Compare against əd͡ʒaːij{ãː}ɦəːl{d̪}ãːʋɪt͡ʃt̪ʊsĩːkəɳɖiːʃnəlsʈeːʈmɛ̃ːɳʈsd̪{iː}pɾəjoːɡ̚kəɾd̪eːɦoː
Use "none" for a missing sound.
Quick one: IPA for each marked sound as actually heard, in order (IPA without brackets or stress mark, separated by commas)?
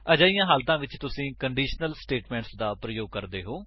ãː, t̪, aː